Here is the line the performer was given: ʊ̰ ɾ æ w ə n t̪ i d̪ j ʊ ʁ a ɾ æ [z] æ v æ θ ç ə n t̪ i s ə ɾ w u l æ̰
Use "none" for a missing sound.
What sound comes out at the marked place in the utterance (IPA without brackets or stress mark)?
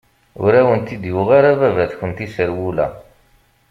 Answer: v